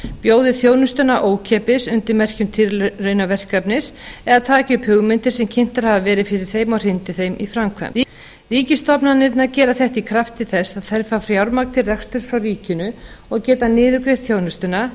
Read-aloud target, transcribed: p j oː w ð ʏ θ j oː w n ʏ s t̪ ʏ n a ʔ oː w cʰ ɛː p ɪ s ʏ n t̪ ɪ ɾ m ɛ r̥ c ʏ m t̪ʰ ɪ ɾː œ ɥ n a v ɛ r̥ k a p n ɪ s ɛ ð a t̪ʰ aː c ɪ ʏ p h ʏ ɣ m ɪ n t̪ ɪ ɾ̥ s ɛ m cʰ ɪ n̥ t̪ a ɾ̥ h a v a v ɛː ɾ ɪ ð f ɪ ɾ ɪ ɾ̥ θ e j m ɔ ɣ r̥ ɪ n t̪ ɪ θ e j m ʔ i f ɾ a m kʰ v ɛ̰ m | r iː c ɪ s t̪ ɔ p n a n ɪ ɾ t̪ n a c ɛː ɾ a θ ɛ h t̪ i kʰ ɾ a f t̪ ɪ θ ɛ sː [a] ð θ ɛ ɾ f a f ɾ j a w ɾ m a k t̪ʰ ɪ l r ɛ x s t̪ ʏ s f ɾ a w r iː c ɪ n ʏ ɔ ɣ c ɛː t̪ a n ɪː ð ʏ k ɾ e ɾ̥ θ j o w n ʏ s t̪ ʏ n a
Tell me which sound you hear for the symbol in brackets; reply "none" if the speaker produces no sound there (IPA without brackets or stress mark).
a